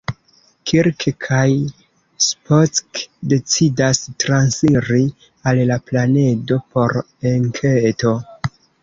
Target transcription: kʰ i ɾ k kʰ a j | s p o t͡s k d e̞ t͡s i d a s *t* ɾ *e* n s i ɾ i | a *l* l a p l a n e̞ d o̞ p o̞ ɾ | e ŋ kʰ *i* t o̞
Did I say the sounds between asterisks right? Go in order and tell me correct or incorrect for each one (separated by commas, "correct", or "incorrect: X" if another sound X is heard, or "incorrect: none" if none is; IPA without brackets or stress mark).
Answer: correct, incorrect: a, correct, incorrect: e